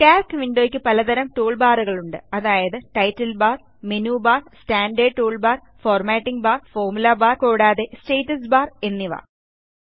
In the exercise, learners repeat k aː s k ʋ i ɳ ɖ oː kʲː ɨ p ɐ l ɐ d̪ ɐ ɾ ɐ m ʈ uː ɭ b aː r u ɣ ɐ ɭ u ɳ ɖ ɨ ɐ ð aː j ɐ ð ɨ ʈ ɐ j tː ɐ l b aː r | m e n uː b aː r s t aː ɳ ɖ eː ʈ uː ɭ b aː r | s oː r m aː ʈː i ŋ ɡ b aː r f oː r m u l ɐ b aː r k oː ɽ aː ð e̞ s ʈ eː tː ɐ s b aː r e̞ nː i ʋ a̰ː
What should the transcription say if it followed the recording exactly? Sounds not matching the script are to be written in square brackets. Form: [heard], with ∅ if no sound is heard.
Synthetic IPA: k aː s k ʋ i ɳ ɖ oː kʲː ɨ p ɐ l ɐ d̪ ɐ ɾ ɐ m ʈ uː ɭ b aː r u ɣ ɐ ɭ u ɳ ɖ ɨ ɐ ð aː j ɐ ð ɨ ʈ ɐ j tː ɐ l b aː r | m e n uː b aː r s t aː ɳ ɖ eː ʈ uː ɭ b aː r | [f] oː r m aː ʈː i ŋ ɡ b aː r f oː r m u l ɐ b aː r k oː ɽ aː ð e̞ s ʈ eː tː ɐ s b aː r e̞ nː i ʋ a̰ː